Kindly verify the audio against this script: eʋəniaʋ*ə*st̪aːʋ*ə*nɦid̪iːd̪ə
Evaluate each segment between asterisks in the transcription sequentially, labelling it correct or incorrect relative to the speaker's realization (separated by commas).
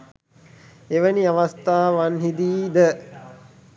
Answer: incorrect, incorrect